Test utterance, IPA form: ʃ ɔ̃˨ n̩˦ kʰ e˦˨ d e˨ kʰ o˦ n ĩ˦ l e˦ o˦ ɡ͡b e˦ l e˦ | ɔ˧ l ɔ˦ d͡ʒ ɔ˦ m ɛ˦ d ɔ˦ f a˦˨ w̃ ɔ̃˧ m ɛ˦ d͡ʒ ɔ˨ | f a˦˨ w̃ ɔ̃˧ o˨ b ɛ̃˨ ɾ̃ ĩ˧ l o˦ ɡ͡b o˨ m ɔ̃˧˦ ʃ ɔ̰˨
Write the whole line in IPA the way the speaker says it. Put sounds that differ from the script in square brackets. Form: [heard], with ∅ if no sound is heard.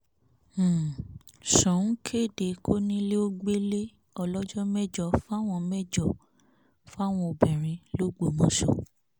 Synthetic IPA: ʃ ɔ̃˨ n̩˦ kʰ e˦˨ d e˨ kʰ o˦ n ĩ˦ l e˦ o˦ ɡ͡b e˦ l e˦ | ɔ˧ l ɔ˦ d͡ʒ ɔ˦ m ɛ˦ [d͡ʒ] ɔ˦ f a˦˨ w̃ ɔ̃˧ m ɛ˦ d͡ʒ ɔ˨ | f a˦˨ w̃ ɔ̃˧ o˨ b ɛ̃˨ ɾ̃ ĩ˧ l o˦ ɡ͡b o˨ m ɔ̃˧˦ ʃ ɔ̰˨